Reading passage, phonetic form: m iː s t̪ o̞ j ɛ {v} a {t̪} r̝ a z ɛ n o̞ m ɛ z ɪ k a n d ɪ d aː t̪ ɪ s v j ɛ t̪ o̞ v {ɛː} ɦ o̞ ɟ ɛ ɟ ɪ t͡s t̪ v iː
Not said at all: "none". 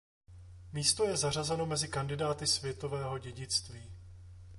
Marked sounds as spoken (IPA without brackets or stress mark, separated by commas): z, none, ɛː